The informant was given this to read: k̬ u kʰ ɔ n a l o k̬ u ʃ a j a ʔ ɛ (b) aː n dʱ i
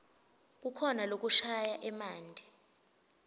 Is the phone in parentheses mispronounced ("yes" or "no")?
yes